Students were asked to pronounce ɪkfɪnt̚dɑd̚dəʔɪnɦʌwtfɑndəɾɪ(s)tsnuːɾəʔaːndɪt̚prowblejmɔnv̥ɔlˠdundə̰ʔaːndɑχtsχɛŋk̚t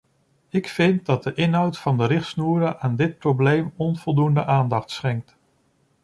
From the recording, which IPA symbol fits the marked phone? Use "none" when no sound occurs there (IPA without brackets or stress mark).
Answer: χ